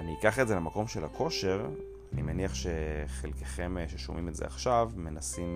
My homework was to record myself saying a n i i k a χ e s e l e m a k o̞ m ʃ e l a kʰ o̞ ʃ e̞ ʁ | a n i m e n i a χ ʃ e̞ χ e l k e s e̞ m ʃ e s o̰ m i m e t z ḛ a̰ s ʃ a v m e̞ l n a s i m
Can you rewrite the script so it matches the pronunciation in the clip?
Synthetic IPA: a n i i k a χ e z e l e m a k o̞ m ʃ e l a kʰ o̞ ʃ e̞ ʁ | a n i m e n i a χ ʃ e̞ χ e l k e χ e̞ m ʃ e ʃ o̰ m i m e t z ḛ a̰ χ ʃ a v m e̞ n a s i m